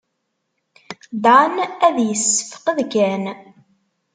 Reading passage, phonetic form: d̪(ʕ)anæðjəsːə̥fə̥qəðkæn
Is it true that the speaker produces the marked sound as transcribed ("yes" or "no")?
yes